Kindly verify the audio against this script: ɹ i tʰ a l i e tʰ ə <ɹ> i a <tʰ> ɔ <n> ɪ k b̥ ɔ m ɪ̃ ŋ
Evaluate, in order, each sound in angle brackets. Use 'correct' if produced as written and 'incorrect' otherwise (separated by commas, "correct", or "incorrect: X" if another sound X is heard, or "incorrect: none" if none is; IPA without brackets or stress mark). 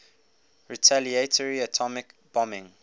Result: correct, correct, incorrect: m